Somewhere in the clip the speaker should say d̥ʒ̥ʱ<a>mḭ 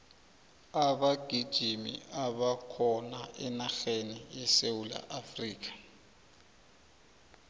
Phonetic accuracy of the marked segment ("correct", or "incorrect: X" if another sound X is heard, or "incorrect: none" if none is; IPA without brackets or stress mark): incorrect: i